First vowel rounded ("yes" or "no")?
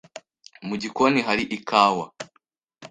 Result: yes